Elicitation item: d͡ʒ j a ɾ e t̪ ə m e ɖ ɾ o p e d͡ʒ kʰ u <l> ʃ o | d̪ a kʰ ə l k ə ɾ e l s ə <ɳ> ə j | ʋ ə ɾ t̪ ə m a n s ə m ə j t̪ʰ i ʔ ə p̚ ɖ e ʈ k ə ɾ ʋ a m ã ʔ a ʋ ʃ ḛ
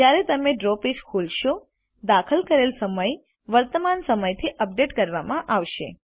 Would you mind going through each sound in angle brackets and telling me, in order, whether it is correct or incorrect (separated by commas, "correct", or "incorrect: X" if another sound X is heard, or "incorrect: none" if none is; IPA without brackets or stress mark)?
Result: correct, incorrect: m